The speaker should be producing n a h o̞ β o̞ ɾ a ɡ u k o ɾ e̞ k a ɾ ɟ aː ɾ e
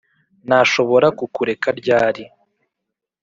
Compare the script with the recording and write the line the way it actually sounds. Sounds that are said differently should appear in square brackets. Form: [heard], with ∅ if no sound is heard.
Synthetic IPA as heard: n a [ʃ] o̞ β o̞ ɾ a [k] u k [u] ɾ e̞ k a ɾ ɟ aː ɾ [i]